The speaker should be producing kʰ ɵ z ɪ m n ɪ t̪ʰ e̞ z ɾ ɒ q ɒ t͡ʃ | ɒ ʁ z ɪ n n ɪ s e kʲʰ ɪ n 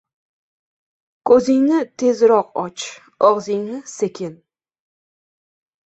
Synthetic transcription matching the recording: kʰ ɵ z ɪ ŋ n ɪ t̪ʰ e̞ z ɾ ɒ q ɒ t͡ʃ | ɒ ʁ z ɪ ŋ n ɪ s e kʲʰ ɪ n